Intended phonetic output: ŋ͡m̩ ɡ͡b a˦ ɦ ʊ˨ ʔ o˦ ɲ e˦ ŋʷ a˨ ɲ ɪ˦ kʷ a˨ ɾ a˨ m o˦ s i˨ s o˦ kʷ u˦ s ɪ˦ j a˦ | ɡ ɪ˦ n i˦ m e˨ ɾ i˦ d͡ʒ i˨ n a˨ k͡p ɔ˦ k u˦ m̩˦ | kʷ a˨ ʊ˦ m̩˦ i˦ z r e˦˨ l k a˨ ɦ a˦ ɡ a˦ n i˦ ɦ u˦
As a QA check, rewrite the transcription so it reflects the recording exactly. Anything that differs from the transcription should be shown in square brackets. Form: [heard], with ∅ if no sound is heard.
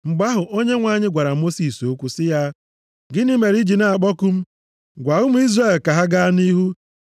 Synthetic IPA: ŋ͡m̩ ɡ͡b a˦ ɦ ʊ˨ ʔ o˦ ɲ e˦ ŋʷ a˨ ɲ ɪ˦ [ɡʷ] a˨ ɾ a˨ m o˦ s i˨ s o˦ kʷ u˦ s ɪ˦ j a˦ | ɡ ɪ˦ n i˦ m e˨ ɾ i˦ d͡ʒ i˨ n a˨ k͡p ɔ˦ k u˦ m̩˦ | [ɡʷ] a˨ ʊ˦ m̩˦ i˦ z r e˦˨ l k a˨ ɦ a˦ ɡ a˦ n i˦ ɦ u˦